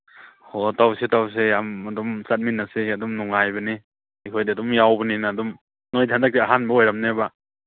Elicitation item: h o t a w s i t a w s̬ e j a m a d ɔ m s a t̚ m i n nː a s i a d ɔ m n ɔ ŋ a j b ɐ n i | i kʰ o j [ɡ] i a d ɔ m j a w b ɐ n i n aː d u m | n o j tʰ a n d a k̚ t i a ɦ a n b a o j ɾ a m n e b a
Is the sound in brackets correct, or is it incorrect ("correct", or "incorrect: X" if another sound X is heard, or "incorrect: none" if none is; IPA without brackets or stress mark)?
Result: incorrect: d